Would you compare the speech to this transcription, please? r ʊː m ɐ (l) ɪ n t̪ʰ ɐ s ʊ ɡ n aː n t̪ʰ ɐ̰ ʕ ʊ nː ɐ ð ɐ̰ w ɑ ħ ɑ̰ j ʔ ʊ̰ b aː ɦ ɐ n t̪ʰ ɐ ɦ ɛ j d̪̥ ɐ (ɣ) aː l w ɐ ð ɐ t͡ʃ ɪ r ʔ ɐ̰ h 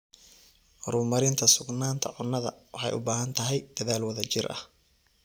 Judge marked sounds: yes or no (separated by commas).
no, no